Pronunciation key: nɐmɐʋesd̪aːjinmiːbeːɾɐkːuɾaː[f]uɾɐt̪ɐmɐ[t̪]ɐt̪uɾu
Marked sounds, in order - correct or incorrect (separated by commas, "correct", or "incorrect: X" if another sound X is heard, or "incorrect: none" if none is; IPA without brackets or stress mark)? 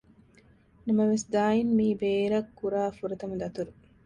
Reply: correct, incorrect: d̪